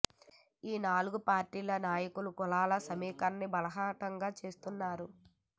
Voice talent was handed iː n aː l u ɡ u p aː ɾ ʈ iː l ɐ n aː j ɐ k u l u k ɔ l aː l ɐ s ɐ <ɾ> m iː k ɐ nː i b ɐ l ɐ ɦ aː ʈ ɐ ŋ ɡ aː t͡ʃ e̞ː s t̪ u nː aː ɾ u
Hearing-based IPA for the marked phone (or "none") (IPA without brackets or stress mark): none